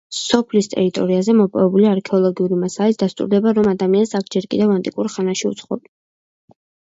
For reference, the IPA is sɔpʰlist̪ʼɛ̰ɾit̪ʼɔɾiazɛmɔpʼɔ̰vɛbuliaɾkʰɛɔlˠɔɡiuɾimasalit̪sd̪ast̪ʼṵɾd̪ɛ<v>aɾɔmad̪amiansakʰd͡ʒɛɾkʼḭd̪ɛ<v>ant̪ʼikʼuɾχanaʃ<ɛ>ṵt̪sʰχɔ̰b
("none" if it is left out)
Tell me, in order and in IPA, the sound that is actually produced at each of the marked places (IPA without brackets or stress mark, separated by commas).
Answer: b, v, i